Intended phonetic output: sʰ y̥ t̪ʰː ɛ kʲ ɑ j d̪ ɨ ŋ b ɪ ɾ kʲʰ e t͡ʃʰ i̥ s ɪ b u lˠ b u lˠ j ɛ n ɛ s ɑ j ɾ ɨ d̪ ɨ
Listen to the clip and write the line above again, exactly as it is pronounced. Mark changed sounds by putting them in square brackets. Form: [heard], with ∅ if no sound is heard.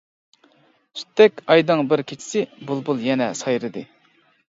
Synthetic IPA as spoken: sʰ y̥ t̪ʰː ɛ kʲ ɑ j d̪ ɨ ŋ b ɪ ɾ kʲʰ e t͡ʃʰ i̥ s ɪ b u lˠ b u lˠ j ɛ n ɛ s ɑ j ɾ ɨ d̪ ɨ